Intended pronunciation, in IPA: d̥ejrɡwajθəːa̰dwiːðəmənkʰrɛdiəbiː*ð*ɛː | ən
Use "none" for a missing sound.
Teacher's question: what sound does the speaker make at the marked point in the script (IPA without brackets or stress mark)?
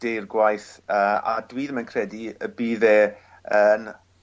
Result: ð